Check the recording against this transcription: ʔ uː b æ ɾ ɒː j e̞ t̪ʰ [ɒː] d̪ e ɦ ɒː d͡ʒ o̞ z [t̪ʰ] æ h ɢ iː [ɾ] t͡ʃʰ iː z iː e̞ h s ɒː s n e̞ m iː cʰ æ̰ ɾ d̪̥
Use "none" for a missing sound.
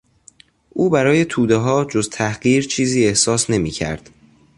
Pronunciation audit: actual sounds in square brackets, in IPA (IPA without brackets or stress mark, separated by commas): uː, t̪ʰ, ɾ